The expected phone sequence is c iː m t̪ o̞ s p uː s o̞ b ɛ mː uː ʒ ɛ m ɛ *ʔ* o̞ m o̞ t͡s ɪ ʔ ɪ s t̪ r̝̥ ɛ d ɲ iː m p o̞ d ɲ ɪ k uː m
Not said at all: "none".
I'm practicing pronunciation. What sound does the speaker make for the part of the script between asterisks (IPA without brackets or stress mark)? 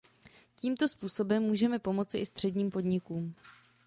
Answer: p